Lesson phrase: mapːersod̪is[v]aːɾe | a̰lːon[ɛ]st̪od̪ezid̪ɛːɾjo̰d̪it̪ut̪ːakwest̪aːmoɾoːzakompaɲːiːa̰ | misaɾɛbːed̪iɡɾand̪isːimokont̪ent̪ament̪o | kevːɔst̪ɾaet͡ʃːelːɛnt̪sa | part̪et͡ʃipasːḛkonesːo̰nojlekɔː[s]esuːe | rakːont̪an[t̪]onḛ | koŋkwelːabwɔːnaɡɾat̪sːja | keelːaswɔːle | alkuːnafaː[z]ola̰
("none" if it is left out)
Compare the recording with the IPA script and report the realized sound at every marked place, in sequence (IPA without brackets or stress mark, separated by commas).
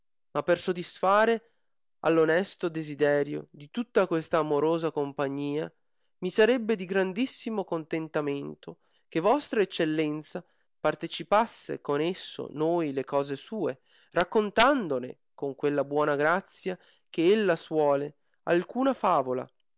f, ɛ, z, d̪, v